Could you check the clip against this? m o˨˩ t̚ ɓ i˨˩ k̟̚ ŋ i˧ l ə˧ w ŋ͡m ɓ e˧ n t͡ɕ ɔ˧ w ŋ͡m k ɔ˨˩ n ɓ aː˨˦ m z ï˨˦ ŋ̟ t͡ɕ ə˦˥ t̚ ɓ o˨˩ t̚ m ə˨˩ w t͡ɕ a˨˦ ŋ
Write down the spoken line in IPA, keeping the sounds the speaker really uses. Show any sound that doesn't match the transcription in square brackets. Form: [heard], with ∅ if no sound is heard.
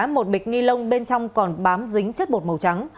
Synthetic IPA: m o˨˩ t̚ ɓ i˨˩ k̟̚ ŋ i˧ l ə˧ w ŋ͡m ɓ e˧ n t͡ɕ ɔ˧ w ŋ͡m k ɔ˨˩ n ɓ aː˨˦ m z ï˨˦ ŋ̟ t͡ɕ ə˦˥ t̚ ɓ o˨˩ t̚ m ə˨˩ w t͡ɕ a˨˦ ŋ